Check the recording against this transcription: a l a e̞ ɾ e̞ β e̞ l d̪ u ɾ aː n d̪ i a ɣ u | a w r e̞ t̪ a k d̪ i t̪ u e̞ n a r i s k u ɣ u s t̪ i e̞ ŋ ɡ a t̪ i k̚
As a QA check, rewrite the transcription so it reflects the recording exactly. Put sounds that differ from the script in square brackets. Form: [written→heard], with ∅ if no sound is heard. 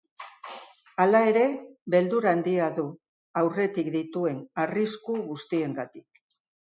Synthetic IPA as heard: a l a e̞ ɾ e̞ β e̞ l d̪ u ɾ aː n d̪ i a [ɣ→ð] u | a w r e̞ t̪ [a→i] k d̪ i t̪ u e̞ n a r i s k u ɣ u s t̪ i e̞ ŋ ɡ a t̪ i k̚